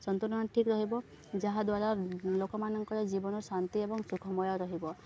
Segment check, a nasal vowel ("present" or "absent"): absent